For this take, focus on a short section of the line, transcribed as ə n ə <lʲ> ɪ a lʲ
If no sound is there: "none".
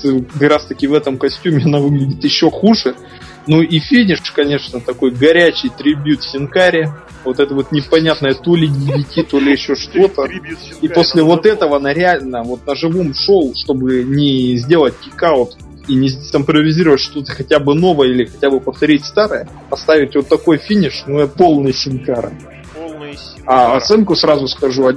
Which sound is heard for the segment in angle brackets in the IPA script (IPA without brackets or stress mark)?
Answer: ɾʲ